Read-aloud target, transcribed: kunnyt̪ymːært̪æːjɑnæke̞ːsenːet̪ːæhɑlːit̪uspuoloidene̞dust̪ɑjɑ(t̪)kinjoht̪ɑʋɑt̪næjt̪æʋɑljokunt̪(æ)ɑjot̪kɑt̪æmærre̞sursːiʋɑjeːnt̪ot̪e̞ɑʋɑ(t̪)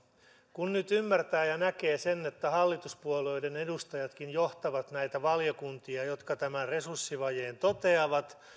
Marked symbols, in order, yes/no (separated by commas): yes, no, yes